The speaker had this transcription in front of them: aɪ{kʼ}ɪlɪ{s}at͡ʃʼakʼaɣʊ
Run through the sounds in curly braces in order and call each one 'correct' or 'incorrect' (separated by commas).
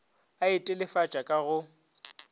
incorrect, incorrect